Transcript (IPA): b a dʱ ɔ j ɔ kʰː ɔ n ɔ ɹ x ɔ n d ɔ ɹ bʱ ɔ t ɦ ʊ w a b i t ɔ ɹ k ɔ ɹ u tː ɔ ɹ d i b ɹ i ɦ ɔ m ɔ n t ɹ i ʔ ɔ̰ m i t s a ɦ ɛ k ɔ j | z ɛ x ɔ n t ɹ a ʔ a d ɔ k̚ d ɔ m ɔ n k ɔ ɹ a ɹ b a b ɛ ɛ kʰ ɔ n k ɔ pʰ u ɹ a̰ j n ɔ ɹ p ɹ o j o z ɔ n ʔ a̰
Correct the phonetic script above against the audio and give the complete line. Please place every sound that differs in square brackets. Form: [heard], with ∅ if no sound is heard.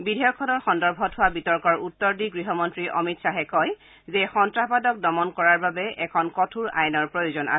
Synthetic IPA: b [i] dʱ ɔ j ɔ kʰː ɔ n ɔ ɹ x ɔ n d ɔ ɹ bʱ ɔ t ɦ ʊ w a b i t ɔ ɹ k ɔ ɹ u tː ɔ ɹ d i [ɡ] ɹ i ɦ ɔ m ɔ n t ɹ i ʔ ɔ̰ m i t s a ɦ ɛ k ɔ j | z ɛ x ɔ n t ɹ a [p] a d ɔ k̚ d ɔ m ɔ n k ɔ ɹ a ɹ b a b ɛ ɛ kʰ ɔ n k ɔ [tʰ] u ɹ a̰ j n ɔ ɹ p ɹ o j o z ɔ n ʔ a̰